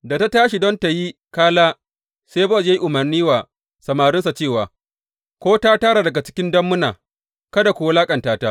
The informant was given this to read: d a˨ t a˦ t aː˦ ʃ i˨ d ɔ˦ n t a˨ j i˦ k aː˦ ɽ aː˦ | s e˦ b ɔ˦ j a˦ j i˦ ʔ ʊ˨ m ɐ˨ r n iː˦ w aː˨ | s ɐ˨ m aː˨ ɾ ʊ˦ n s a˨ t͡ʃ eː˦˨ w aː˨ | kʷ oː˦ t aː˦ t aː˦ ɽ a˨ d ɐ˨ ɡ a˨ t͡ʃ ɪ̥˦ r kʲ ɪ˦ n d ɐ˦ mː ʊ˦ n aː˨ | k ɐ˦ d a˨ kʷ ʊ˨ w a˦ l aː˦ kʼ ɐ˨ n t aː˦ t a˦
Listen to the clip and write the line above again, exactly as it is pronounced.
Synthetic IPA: d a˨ t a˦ t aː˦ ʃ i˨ d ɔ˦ n t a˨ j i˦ k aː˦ l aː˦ | s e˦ b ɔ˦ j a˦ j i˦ ʔ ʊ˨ m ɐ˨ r n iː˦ w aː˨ | s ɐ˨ m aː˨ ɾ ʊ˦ n s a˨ t͡ʃ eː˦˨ w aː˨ | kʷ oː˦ t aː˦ t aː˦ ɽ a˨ d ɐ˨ ɡ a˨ t͡ʃ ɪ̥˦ kʲ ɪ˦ n d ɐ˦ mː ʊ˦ n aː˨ | k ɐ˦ d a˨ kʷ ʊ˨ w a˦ l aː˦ kʼ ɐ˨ n t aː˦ t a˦